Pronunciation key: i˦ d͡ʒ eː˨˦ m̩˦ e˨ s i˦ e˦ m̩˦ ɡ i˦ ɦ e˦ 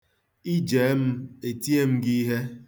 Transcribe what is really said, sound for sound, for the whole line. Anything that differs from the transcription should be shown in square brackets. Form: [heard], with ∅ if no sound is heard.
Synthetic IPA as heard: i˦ d͡ʒ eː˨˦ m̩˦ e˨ [t] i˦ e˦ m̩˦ ɡ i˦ ɦ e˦